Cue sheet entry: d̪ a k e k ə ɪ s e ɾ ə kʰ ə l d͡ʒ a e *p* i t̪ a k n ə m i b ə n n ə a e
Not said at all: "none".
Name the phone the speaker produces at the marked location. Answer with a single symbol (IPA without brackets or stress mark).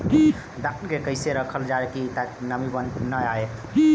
k